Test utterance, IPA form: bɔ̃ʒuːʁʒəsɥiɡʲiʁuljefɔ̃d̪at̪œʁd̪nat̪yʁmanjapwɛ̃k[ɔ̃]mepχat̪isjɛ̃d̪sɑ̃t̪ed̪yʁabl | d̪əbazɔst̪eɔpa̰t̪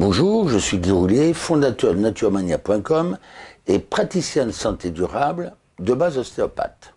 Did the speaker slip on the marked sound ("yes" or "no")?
yes